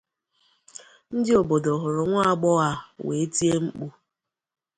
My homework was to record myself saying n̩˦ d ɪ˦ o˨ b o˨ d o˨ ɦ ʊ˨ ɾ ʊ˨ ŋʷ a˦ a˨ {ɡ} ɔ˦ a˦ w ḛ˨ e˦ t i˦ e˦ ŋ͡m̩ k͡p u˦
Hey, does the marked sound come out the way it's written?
no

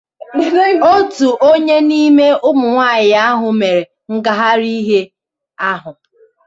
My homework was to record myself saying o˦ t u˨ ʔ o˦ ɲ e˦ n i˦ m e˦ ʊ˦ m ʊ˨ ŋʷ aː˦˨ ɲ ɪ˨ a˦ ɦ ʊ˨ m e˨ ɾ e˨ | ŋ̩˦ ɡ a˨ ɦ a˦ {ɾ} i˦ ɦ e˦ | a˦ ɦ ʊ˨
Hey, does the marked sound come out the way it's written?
yes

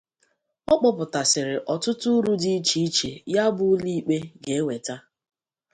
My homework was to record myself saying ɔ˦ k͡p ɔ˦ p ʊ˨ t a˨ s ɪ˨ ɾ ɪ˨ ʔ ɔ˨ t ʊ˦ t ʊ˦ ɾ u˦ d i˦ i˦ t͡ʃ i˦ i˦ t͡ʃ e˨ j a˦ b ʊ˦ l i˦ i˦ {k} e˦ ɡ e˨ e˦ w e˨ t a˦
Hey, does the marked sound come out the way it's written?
no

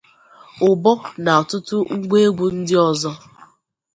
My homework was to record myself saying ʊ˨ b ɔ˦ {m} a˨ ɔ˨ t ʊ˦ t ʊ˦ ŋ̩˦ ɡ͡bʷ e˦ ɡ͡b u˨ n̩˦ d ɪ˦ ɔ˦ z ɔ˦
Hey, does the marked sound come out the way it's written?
no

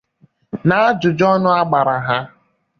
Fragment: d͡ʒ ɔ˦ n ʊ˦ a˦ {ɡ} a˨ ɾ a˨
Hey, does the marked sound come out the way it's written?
no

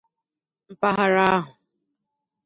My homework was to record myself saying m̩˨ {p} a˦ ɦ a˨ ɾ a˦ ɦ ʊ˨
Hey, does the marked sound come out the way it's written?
yes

